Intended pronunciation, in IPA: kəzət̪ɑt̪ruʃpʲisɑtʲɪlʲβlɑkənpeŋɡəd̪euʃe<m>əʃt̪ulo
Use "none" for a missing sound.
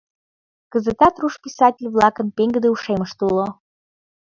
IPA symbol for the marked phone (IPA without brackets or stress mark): m